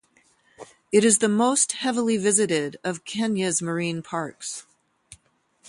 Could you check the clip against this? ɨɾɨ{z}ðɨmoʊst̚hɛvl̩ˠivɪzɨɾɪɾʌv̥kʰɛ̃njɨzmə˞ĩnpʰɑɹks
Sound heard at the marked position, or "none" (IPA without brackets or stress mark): z